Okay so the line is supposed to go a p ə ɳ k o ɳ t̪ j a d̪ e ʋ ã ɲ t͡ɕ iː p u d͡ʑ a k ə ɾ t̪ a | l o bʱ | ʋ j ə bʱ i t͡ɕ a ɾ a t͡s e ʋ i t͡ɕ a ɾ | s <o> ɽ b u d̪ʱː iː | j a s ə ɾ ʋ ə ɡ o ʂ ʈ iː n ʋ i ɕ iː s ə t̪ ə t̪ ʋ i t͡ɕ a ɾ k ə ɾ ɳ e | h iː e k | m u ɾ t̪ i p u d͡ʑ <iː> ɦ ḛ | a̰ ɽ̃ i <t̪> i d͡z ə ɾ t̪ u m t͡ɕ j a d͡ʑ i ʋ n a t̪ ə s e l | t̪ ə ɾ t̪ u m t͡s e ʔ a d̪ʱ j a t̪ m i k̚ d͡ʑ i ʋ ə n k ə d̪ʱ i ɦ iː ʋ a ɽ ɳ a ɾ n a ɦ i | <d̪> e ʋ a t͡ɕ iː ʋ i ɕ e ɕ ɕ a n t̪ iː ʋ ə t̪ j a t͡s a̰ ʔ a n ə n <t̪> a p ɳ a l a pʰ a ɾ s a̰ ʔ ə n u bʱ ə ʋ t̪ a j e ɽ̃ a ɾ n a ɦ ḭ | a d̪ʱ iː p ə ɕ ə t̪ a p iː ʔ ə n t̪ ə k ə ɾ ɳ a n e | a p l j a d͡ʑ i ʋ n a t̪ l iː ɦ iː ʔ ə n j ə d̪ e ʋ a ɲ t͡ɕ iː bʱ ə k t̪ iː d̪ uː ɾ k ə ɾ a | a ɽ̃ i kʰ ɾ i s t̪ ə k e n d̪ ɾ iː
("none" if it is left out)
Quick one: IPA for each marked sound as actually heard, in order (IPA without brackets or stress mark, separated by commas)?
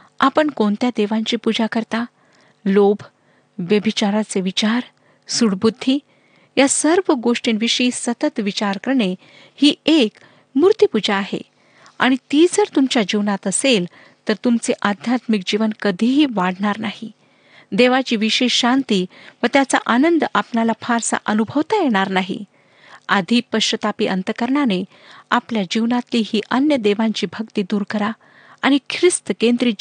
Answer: u, aː, t̪, d̪, d̪